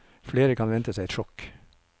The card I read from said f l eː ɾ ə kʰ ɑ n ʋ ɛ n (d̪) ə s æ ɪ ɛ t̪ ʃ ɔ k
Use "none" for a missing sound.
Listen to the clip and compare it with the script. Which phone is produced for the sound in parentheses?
t̪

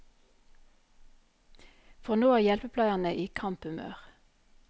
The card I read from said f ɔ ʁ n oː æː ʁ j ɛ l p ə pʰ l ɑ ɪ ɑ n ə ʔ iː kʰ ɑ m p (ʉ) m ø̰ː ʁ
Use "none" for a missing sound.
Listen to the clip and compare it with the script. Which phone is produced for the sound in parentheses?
ʉ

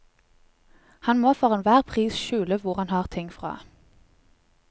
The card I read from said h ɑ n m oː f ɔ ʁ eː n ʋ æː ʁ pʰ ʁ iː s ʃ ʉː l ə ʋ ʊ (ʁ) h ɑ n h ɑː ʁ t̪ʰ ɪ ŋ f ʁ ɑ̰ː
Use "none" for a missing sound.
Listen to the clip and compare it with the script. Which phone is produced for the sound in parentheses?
ʁ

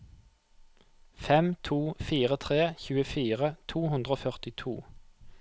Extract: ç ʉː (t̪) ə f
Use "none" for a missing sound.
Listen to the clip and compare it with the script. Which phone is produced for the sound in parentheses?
none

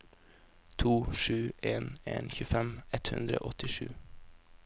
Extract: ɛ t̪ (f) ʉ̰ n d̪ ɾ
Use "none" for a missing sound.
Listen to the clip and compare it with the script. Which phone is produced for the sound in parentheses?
h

